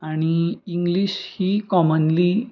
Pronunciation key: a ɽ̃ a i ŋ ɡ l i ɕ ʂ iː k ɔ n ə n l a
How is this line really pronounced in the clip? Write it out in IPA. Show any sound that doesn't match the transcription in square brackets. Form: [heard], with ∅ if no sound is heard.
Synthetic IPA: a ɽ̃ [i] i ŋ ɡ l i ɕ [h] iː k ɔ [m] ə n l [i]

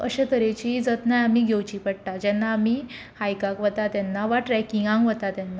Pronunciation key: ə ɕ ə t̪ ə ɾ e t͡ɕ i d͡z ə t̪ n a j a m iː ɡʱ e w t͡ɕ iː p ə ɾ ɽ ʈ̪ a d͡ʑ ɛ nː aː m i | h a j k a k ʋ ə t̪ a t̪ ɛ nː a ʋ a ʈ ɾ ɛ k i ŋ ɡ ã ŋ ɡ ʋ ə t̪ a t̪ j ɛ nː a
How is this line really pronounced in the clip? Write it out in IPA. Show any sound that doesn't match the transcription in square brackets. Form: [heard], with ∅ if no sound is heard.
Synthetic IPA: ə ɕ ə t̪ ə ɾ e t͡ɕ i d͡z ə t̪ n a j a m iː ɡʱ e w t͡ɕ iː p ə [∅] ɽ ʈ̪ a d͡ʑ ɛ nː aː m i | h a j k a k ʋ ə t̪ a t̪ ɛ nː a ʋ a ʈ ɾ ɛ k i ŋ ɡ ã ŋ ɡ ʋ ə t̪ a t̪ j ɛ nː a

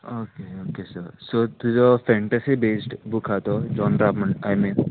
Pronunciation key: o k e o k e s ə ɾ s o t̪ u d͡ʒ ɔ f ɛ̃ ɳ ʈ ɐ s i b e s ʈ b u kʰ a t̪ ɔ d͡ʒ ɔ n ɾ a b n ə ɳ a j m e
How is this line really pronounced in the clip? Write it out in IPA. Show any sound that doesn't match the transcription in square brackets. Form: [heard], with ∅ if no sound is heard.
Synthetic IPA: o k e o k e s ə ɾ s o t̪ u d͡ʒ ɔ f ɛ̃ ɳ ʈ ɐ s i b e s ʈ b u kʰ a t̪ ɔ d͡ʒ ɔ n ɾ a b [m] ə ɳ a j m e

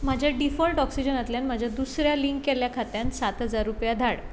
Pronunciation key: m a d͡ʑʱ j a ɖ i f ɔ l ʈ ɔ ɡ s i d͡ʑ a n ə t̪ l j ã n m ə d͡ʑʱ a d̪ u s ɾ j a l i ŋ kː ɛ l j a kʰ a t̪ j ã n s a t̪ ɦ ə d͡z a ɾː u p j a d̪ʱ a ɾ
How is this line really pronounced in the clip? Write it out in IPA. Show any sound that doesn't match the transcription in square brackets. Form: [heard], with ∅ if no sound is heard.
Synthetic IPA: m a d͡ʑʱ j a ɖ i f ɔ l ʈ ɔ [k] s i d͡ʑ [ə] n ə t̪ l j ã n m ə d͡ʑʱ a d̪ u s ɾ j a l i ŋ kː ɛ l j a kʰ a t̪ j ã n s a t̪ ɦ ə d͡z a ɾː u p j a d̪ʱ a [ɽ]

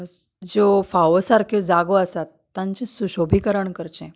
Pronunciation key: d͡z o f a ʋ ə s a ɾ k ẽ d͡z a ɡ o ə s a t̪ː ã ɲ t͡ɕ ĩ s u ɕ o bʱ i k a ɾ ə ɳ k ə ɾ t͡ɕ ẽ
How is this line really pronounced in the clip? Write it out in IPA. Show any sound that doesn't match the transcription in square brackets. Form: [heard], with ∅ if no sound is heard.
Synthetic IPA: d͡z o f a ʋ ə s a ɾ k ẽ d͡z a ɡ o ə s a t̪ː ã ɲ t͡ɕ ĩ s u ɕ o bʱ i k [ə] ɾ ə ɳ k ə ɾ t͡ɕ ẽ

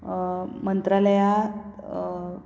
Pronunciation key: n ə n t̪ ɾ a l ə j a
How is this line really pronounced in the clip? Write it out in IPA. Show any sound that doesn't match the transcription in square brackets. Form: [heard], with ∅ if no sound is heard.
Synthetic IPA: [m] ə n t̪ ɾ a l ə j a

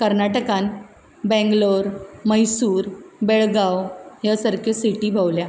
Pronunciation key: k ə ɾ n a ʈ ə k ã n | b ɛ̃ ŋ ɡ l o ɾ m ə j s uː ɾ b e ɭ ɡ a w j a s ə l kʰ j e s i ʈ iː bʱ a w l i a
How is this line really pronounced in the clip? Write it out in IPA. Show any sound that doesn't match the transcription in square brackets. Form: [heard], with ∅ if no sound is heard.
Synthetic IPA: k ə ɾ n a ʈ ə k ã n | b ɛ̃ ŋ ɡ l o ɾ m ə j s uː ɾ b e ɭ ɡ a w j a s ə [ɾ] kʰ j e s i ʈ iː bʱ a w l [j] a

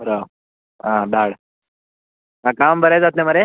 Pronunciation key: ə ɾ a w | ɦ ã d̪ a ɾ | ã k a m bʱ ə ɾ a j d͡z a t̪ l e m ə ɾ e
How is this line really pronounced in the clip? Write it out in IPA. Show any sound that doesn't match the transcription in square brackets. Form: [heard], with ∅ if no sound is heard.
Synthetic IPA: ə ɾ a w | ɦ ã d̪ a [ɽ] | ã k a m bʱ ə ɾ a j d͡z a t̪ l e m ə ɾ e

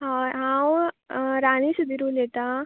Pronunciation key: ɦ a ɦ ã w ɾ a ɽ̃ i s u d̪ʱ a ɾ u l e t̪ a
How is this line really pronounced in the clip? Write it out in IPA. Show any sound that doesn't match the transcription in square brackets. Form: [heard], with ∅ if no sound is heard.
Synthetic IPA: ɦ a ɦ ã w ɾ a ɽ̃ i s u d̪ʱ [i] ɾ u l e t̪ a

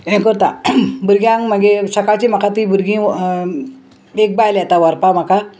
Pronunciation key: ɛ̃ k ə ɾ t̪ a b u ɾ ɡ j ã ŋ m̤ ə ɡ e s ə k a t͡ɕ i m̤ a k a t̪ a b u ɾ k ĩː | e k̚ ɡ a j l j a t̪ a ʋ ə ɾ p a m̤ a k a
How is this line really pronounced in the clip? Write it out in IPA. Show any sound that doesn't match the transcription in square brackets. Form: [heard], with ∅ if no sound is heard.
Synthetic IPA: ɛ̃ k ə ɾ t̪ a b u ɾ ɡ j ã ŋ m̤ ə ɡ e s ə k a t͡ɕ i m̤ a k a t̪ [i] b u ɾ [ɡ] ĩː | e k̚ [b] a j l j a t̪ a ʋ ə ɾ p a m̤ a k a

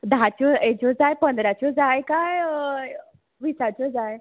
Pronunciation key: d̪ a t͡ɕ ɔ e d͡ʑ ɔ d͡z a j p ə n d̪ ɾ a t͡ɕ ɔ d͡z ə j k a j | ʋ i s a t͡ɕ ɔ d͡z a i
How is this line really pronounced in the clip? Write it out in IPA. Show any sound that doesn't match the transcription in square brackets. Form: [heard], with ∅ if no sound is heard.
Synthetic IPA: d̪ a t͡ɕ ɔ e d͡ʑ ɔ d͡z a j p ə n d̪ ɾ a t͡ɕ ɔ d͡z [a] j k a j | ʋ i s a t͡ɕ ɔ d͡z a [j]

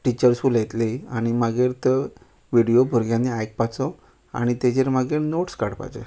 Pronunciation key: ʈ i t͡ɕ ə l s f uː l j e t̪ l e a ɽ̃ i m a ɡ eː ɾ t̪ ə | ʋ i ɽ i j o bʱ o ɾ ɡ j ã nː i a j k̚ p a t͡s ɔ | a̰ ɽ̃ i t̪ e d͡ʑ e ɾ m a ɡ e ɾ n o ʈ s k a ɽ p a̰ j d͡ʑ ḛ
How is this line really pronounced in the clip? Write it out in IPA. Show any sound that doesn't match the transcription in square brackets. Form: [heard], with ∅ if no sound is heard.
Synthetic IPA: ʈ i t͡ɕ ə [ɾ] s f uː l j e t̪ l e a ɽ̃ i m a ɡ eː ɾ t̪ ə | ʋ i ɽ i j o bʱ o ɾ ɡ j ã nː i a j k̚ p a t͡s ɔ | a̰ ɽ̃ i t̪ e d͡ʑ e ɾ m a ɡ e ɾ n o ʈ s k a ɽ p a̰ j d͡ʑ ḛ

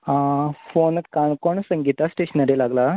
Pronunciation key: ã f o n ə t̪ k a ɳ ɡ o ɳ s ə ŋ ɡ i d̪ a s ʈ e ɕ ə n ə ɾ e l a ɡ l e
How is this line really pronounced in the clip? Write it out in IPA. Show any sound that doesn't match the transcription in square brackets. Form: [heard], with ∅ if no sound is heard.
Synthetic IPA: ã f o n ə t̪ k a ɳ [k] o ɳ s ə ŋ ɡ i [t̪] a s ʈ e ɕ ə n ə ɾ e l a ɡ l [a]

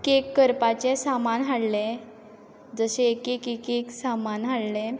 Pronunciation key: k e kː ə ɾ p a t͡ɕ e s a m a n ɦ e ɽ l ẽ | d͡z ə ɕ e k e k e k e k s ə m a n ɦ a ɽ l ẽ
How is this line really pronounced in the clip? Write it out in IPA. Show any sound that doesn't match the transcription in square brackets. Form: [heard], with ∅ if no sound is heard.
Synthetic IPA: k e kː ə ɾ p a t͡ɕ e s a m a n ɦ [a] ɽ l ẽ | d͡z ə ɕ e k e k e k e k s [a] m a n ɦ a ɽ l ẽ

